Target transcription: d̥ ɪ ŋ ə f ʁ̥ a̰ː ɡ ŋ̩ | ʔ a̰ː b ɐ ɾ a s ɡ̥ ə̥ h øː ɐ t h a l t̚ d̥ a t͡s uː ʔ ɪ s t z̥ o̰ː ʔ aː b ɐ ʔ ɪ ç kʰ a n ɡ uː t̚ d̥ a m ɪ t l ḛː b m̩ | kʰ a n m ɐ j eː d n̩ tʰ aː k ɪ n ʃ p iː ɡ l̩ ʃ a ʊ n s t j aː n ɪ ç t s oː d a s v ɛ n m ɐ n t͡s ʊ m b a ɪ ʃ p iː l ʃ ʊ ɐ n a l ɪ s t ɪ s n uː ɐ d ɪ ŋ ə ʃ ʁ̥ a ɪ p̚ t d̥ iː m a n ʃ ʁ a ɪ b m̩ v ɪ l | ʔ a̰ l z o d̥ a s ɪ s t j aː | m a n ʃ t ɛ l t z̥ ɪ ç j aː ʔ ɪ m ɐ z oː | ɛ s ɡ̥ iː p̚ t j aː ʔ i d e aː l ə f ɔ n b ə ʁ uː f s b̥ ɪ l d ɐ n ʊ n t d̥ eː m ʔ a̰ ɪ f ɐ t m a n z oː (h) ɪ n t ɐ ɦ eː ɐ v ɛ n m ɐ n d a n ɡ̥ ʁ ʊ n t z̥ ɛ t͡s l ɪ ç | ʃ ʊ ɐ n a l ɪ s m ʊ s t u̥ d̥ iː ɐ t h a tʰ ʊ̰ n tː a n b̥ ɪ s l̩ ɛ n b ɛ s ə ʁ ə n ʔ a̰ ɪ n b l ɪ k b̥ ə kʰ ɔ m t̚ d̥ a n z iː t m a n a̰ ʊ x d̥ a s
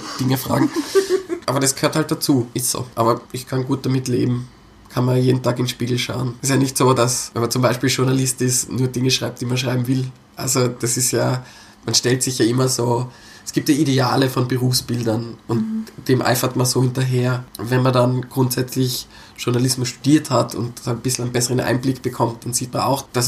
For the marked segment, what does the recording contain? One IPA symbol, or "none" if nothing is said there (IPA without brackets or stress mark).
h